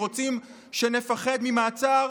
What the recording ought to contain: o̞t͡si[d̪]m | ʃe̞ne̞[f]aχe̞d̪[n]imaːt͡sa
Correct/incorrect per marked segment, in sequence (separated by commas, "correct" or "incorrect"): incorrect, correct, incorrect